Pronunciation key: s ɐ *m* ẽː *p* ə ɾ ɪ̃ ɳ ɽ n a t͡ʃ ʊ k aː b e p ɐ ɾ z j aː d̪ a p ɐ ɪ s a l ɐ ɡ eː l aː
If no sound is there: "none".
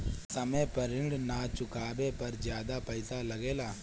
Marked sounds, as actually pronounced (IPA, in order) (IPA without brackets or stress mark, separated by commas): m, p